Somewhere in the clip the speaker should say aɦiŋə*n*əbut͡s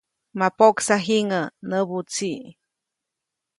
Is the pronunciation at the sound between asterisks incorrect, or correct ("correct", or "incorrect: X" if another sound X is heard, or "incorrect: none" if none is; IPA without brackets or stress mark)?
correct